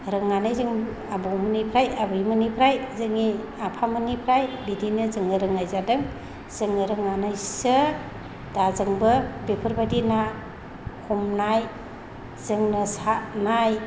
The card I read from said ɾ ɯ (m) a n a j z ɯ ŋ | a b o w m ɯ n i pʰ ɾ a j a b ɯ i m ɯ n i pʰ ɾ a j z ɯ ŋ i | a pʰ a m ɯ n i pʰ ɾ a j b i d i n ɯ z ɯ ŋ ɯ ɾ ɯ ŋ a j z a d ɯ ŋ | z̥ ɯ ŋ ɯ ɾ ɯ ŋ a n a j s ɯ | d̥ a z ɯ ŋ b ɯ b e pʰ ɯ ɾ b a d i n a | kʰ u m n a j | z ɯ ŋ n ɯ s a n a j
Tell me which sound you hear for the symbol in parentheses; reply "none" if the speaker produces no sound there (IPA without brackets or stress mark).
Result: ŋ